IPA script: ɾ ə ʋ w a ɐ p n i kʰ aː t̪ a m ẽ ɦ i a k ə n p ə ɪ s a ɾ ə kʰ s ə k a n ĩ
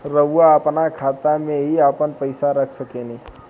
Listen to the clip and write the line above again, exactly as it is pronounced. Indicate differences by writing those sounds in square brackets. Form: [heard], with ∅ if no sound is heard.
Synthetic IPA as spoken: ɾ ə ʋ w a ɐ p n [a] kʰ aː t̪ a m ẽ ɦ i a [p] ə n p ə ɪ s a ɾ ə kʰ s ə k [e] n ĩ